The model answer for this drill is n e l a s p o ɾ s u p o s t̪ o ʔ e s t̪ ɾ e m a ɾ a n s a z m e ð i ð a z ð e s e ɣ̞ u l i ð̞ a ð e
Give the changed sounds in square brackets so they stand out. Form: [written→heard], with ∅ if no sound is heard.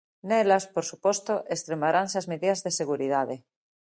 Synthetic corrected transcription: n e l a s p o ɾ s u p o s t̪ o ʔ e s t̪ ɾ e m a ɾ a n s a z m e ð i ð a z ð e s e ɣ̞ u [l→ɾ] i ð̞ a ð e